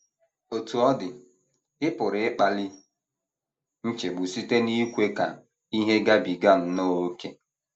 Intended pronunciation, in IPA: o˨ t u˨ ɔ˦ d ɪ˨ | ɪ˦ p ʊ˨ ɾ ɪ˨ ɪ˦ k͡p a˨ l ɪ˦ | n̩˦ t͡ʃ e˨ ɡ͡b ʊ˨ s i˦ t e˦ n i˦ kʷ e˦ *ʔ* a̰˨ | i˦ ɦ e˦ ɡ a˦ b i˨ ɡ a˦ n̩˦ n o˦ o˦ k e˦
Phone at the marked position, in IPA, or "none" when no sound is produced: k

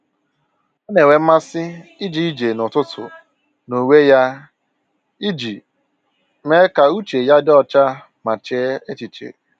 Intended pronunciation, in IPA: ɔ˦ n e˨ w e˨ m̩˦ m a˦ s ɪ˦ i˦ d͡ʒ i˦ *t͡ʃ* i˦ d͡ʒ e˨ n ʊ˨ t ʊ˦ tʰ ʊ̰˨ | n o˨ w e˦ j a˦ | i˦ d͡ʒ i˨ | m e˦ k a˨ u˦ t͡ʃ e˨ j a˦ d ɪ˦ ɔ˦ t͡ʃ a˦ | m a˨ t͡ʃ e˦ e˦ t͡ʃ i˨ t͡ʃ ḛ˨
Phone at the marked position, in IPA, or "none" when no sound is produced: none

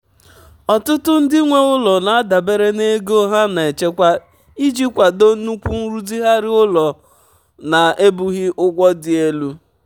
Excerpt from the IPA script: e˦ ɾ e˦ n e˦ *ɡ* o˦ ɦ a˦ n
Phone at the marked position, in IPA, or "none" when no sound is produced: ɡ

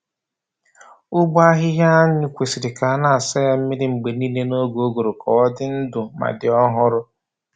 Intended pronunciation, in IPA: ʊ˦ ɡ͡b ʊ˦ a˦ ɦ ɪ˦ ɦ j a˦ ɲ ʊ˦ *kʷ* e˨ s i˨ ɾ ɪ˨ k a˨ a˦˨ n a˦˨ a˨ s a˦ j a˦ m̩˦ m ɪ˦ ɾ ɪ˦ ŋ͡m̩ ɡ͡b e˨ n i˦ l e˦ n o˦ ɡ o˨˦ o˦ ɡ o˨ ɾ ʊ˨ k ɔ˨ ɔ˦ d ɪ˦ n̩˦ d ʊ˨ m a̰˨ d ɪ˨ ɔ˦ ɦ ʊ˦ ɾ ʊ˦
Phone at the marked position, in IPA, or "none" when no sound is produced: kʷ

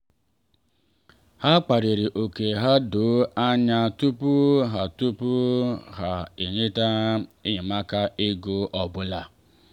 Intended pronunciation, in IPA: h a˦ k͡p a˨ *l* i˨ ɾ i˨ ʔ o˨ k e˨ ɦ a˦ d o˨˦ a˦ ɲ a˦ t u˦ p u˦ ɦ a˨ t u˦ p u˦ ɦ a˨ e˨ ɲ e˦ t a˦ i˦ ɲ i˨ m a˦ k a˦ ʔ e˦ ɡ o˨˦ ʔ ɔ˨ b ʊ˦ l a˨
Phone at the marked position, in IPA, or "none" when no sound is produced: ɾ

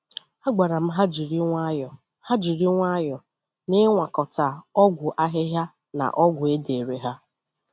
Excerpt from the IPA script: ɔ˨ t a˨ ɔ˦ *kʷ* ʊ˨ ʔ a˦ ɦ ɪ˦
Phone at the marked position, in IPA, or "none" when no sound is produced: ɡʷ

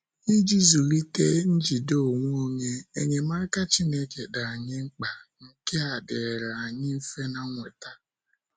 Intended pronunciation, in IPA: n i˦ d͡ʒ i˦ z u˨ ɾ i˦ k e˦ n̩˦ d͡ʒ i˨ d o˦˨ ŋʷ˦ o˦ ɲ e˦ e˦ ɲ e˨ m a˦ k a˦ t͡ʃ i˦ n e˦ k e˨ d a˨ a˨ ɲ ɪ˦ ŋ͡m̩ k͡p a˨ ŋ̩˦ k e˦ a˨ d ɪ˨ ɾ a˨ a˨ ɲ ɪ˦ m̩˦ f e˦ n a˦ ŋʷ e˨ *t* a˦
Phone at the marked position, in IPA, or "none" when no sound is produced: t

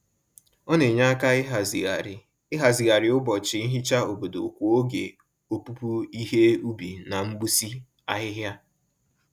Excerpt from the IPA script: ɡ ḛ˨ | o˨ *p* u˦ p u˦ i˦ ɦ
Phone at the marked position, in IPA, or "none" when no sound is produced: p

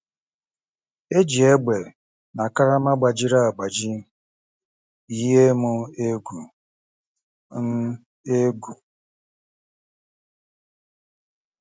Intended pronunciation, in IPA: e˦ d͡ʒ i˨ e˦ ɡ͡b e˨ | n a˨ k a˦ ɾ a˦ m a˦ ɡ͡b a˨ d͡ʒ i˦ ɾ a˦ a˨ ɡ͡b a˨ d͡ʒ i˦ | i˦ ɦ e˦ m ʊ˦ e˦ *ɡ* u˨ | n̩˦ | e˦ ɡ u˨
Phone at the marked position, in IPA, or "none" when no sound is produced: ɡ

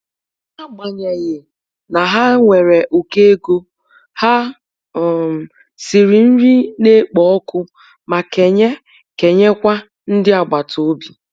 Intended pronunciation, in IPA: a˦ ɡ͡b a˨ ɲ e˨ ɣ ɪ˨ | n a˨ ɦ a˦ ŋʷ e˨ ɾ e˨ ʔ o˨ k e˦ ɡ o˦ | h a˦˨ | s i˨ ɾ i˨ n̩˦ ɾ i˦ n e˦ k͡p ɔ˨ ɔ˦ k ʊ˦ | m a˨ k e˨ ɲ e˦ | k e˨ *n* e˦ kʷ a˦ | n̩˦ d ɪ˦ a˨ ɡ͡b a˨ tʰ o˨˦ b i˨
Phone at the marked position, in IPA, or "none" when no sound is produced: ɲ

